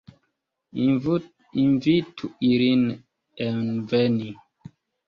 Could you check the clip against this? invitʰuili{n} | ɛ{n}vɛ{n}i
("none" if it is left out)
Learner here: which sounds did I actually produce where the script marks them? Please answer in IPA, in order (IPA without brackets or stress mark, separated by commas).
n, n, n